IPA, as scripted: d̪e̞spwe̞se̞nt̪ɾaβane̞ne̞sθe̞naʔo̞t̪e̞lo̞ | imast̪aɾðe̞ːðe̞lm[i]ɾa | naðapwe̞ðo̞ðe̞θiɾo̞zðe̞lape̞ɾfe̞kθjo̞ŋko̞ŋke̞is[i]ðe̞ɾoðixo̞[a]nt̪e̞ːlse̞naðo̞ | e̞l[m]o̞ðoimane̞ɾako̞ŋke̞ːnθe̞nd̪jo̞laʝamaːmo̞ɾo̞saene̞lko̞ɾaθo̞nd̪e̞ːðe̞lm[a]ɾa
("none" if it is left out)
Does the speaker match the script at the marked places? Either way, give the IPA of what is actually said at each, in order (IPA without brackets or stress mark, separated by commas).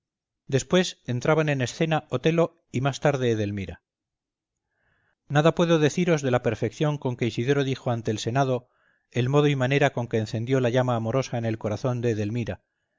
i, i, a, m, i